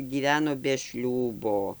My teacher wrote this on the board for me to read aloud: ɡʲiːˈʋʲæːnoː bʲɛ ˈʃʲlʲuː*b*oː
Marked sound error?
no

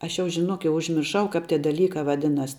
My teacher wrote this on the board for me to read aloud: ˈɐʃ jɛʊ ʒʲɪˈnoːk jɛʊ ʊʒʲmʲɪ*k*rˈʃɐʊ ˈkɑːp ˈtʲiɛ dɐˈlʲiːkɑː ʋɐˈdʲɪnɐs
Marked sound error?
yes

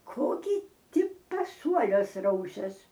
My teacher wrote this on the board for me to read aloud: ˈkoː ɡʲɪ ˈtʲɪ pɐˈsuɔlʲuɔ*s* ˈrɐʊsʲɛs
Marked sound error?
no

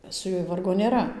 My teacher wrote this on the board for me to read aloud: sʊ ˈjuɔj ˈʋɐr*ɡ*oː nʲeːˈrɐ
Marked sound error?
no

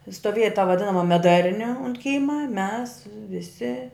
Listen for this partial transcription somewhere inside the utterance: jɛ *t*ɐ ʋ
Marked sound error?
no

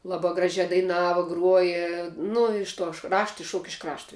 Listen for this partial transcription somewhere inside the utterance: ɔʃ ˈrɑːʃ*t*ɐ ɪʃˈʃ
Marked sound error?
no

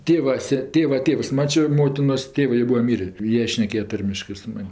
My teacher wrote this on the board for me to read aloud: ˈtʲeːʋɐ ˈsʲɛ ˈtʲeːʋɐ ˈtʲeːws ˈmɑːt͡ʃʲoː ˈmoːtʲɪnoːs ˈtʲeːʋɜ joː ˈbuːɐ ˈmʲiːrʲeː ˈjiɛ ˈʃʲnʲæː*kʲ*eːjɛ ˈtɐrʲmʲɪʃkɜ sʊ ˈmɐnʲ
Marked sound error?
no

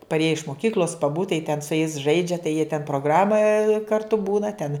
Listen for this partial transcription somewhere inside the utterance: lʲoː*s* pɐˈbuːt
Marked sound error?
no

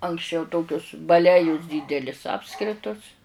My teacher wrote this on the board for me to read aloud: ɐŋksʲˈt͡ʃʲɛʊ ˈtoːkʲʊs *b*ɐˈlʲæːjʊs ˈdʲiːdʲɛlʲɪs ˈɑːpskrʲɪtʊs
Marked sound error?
no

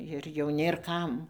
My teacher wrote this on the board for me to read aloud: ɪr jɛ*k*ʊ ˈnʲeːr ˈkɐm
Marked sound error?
yes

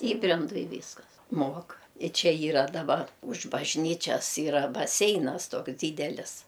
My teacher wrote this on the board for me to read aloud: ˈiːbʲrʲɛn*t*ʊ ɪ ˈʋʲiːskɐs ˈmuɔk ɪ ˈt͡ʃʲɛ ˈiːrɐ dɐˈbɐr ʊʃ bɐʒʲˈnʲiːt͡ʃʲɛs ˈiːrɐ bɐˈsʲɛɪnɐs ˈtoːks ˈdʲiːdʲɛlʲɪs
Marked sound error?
yes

